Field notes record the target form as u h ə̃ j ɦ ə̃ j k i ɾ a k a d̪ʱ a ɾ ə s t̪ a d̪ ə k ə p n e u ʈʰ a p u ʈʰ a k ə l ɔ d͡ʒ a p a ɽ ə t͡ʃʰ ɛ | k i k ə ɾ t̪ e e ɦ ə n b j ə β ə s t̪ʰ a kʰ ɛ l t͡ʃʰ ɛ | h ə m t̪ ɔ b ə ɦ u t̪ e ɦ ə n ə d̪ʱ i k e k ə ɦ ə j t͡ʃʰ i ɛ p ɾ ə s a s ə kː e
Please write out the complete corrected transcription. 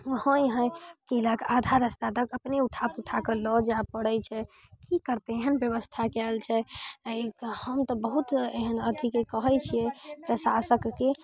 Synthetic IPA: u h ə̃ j ɦ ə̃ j k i l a k a d̪ʱ a ɾ ə s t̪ a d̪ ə k ə p n e u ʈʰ a p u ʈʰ a k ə l ɔ d͡ʒ a p ə ɽ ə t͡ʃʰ ɛ | k i k ə ɾ t̪ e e ɦ ə n b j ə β ə s t̪ʰ a k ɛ l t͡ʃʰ ɛ | h ə m t̪ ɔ b ə ɦ u t̪ e ɦ ə n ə d̪ʱ i k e k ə ɦ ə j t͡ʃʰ i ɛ p ɾ ə s a s ə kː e

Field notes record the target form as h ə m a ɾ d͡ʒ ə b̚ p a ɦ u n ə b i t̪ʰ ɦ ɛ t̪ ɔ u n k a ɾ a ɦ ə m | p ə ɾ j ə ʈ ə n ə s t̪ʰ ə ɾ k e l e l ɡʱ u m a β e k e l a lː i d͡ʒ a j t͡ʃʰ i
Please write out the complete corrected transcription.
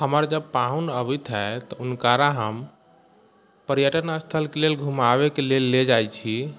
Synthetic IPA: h ə m ə ɾ d͡ʒ ə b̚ p a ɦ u n ə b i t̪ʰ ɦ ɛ t̪ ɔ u n k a ɾ a ɦ ə m | p ə ɾ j ə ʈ ə n ə s t̪ʰ ə l k e l e l ɡʱ u m a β e k e l e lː e d͡ʒ a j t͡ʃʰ i

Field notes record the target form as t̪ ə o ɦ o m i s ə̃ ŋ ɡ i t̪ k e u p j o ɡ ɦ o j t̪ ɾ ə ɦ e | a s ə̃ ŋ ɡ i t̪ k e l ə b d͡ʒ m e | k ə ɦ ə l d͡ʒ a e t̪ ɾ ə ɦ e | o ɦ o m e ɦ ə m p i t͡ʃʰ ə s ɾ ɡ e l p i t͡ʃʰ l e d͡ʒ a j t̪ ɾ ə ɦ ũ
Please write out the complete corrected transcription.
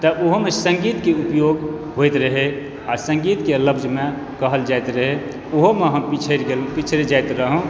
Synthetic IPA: t̪ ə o ɦ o m e s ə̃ ŋ ɡ i t̪ k e u p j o ɡ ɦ o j t̪ ɾ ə ɦ e | a s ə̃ ŋ ɡ i t̪ k e l ə b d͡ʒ m e | k ə ɦ ə l d͡ʒ a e t̪ ɾ ə ɦ e | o ɦ o m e ɦ ə m p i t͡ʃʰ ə ɾ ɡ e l p i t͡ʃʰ ɾ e d͡ʒ a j t̪ ɾ ə ɦ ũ

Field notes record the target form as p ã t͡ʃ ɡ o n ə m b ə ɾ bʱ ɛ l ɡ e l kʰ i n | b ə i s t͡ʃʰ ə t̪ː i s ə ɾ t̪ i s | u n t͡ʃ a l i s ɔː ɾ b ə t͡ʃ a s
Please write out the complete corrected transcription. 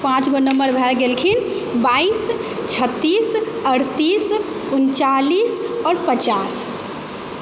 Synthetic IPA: p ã t͡ʃ ɡ o n ə m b ə ɾ bʱ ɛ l ɡ e l kʰ i n | b a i s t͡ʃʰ ə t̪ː i s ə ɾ t̪ i s | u n t͡ʃ a l i s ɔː ɾ p ə t͡ʃ a s

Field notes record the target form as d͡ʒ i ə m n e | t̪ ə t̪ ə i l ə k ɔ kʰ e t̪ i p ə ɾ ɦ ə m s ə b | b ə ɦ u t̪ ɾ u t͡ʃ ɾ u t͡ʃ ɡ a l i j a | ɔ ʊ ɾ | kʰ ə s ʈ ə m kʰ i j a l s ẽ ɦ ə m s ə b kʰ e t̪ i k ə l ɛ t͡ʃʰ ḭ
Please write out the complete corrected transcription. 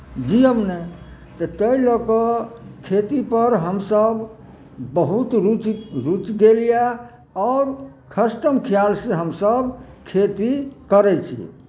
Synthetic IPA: d͡ʒ i ə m n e | t̪ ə t̪ ə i l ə k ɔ kʰ e t̪ i p ə ɾ ɦ ə m s ə b | b ə ɦ u t̪ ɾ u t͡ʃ ɾ u t͡ʃ ɡ e l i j a | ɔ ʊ ɾ | kʰ ə s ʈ ə m kʰ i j a l s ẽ ɦ ə m s ə b kʰ e t̪ i k ə ɾ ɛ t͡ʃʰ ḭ

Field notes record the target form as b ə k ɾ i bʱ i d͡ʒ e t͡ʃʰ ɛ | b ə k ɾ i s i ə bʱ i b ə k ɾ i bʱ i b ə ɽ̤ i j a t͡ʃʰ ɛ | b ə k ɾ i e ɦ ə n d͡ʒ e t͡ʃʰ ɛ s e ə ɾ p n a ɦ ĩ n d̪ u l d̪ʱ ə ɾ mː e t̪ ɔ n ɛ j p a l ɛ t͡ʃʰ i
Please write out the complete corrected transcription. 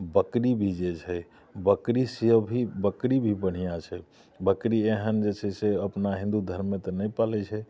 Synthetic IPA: b ə k ɾ i bʱ i d͡ʒ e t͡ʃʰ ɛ | b ə k ɾ i s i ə bʱ i b ə k ɾ i bʱ i b ə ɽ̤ i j a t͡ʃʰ ɛ | b ə k ɾ i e ɦ ə n d͡ʒ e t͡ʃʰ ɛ s e ə p n a ɦ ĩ n d̪ u d̪ʱ ə ɾ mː e t̪ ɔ n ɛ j p a l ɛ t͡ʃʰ ɛ

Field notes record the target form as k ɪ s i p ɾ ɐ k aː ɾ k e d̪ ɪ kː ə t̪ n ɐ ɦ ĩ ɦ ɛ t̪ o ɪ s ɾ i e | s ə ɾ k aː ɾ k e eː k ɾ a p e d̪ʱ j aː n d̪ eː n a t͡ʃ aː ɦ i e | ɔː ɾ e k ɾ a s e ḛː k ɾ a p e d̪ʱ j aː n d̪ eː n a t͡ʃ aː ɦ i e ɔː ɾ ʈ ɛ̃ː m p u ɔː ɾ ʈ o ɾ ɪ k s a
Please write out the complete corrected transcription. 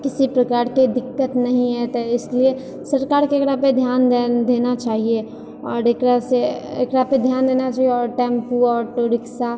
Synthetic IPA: k ɪ s i p ɾ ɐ k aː ɾ k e d̪ ɪ kː ə t̪ n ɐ ɦ ĩ ɦ ɛ t̪ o ɪ s l i e | s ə ɾ k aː ɾ k e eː k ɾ a p e d̪ʱ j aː n d̪ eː n a t͡ʃ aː ɦ i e | ɔː ɾ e k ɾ a s e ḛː k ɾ a p e d̪ʱ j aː n d̪ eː n a t͡ʃ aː ɦ i e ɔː ɾ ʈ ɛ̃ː m p u ɔː ɾ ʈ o ɾ ɪ k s a

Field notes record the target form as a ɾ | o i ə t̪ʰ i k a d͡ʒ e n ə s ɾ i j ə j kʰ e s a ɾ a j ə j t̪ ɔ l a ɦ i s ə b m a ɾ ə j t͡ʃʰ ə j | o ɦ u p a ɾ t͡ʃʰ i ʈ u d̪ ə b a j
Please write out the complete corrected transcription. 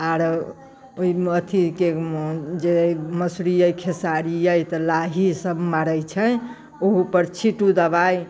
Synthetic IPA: a ɾ | o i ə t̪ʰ i k e d͡ʒ e m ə s ɾ i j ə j kʰ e s a ɾ i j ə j t̪ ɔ l a ɦ i s ə b m a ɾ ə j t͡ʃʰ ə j | o ɦ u p ə ɾ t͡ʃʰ i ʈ u d̪ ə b a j

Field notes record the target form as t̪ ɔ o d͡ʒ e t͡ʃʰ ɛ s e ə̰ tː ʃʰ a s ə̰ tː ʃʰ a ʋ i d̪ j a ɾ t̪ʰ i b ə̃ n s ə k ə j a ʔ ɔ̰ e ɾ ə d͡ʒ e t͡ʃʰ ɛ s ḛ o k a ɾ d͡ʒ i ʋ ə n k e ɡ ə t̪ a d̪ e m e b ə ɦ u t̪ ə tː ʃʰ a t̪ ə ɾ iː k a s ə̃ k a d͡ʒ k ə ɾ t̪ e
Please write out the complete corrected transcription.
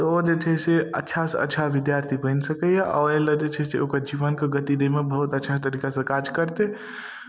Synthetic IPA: t̪ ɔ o d͡ʒ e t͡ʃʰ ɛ s e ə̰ tː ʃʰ a s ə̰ tː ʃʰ a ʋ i d̪ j a ɾ t̪ʰ i b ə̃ n s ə k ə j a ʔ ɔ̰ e l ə d͡ʒ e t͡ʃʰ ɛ s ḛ o k ə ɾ d͡ʒ i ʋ ə n k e ɡ ə t̪ i d̪ e m e b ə ɦ u t̪ ə tː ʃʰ a t̪ ə ɾ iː k a s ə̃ k a d͡ʒ k ə ɾ t̪ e

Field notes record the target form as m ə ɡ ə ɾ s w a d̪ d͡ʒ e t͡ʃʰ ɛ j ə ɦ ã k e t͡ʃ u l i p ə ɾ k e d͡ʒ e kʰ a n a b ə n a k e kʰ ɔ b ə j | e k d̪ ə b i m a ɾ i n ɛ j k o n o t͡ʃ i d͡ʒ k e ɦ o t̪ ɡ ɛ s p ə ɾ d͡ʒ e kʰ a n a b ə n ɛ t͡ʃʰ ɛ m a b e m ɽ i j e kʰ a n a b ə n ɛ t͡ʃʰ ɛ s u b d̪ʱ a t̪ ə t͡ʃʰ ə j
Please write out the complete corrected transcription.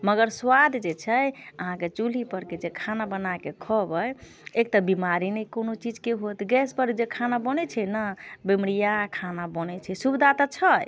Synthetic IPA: m ə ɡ ə ɾ s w a d̪ d͡ʒ e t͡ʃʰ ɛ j ə ɦ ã k e t͡ʃ u l i p ə ɾ k e d͡ʒ e kʰ a n a b ə n a k e kʰ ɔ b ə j | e k t̪ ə b i m a ɾ i n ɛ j k o n o t͡ʃ i d͡ʒ k e ɦ o t̪ ɡ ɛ s p ə ɾ d͡ʒ e kʰ a n a b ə n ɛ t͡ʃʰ ɛ n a b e m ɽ i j a kʰ a n a b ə n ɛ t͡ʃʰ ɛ s u b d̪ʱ a t̪ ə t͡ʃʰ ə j

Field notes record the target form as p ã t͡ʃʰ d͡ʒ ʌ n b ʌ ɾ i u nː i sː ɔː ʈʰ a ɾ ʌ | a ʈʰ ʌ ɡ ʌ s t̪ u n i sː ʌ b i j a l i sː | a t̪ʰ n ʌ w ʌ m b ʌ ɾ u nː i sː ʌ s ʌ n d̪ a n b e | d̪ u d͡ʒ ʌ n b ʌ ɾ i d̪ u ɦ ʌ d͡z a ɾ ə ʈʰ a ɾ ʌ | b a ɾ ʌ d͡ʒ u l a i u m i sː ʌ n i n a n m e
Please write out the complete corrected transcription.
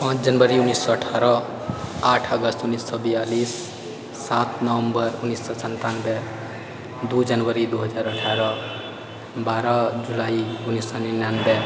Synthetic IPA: p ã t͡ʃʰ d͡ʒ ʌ n b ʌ ɾ i u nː i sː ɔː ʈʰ a ɾ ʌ | a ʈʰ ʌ ɡ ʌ s t̪ u n i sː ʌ b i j a l i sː | a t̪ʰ n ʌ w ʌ m b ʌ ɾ u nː i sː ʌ s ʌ n t̪ a n b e | d̪ u d͡ʒ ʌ n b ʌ ɾ i d̪ u ɦ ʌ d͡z a ɾ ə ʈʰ a ɾ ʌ | b a ɾ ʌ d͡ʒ u l a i u n i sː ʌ n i n a n b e

